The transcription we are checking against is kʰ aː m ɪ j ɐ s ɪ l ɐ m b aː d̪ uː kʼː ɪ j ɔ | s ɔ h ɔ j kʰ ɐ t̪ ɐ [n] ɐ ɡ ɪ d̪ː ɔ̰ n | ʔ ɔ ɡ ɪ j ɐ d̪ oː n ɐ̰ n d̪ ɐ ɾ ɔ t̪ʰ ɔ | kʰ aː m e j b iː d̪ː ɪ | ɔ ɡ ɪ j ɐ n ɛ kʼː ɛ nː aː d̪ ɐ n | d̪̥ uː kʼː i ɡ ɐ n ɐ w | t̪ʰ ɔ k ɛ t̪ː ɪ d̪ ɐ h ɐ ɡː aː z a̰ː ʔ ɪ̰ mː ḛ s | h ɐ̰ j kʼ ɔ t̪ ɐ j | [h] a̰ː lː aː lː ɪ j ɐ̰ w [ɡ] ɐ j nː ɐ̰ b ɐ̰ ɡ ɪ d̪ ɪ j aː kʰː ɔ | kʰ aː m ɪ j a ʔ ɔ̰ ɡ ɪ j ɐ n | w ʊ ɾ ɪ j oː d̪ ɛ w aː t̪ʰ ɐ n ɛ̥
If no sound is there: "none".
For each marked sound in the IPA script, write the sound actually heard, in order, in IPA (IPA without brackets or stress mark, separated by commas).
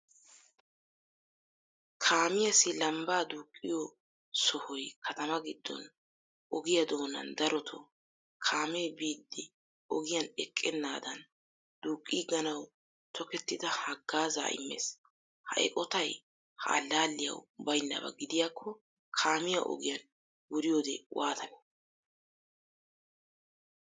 m, h, b